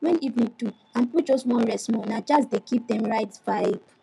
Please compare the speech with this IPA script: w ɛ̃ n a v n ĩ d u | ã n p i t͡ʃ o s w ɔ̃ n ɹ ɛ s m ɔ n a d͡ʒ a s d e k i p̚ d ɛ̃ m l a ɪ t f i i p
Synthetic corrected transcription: w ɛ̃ n i v n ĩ t u | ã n p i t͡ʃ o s w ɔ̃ n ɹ ɛ s m ɔ n a d͡ʒ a s d e k i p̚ d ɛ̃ m ɹ a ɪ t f a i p